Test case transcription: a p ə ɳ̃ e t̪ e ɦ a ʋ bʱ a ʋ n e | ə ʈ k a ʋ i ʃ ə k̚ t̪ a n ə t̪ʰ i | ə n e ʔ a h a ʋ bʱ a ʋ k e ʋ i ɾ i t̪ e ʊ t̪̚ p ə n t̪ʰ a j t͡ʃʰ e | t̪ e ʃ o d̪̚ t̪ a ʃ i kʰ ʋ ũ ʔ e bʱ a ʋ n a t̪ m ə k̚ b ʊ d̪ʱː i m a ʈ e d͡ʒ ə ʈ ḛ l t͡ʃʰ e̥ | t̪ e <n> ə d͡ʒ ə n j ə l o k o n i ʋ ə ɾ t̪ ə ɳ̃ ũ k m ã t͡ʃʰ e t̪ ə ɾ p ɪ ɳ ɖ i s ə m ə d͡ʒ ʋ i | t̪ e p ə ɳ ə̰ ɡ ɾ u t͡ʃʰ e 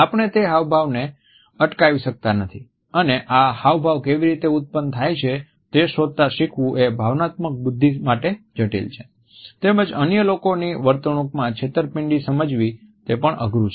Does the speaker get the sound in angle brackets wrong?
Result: yes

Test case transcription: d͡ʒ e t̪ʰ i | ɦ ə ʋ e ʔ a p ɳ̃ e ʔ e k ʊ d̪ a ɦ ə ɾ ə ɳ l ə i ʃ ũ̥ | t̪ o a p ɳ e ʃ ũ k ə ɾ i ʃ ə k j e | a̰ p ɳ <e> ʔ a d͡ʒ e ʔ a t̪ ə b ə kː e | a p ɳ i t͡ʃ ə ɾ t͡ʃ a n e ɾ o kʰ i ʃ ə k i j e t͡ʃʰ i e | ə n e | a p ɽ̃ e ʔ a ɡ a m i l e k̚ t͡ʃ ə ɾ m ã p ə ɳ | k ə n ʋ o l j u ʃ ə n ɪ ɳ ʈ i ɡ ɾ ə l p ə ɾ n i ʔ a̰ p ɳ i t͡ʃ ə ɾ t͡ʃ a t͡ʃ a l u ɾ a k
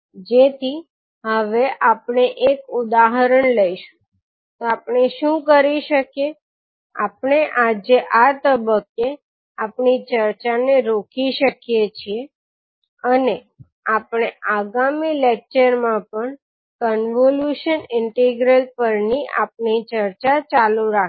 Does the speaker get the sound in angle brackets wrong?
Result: no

